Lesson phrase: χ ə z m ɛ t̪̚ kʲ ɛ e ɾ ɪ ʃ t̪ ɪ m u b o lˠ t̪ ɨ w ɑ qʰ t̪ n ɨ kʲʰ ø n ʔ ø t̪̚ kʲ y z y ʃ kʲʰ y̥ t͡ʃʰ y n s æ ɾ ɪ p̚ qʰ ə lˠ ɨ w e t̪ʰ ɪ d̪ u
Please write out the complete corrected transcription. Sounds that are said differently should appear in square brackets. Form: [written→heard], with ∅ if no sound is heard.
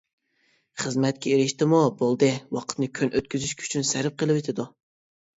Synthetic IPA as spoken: χ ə z m ɛ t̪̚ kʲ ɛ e ɾ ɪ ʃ t̪ ɪ m u b o lˠ [t̪→d̪] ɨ w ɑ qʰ t̪ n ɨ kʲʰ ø n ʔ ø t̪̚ kʲ y z y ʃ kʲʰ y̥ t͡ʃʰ y n s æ ɾ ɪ p̚ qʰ ə lˠ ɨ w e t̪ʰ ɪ d̪ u